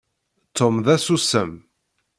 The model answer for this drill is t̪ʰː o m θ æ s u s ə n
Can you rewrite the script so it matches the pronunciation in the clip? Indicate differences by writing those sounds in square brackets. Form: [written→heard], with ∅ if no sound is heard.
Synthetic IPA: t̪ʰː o m [θ→ð] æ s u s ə [n→m]